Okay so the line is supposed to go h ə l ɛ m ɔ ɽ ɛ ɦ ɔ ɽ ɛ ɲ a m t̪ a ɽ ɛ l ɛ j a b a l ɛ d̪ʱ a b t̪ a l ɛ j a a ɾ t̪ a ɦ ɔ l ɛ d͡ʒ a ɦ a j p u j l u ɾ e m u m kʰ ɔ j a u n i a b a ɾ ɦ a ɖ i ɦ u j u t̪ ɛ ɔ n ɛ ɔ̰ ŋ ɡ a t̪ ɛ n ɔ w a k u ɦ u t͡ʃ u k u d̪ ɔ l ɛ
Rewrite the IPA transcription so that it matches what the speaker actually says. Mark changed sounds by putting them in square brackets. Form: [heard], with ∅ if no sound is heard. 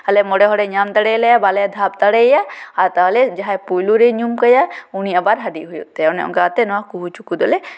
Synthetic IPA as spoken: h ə l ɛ m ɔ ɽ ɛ ɦ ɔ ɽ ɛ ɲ a m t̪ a ɽ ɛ l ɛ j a b a l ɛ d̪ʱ a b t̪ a [ɽ] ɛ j a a ɾ t̪ a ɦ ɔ l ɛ d͡ʒ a ɦ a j p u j l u ɾ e [ɲ] u m [k] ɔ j a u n i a b a ɾ ɦ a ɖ i ɦ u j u t̪ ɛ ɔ n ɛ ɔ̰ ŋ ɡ a t̪ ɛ n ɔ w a k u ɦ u t͡ʃ u k u d̪ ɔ l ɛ